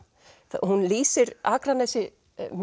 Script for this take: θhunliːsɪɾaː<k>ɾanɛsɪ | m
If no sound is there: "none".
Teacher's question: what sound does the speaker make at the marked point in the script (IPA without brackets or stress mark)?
k